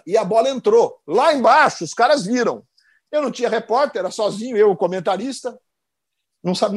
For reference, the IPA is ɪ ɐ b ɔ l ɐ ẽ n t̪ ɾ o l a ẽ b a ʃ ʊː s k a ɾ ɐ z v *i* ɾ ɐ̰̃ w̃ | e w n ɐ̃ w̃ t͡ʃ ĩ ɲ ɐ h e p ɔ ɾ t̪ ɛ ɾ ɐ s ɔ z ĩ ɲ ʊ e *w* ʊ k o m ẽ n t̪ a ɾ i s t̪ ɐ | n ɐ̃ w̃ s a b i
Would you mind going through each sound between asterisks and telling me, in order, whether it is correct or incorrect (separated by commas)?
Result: correct, correct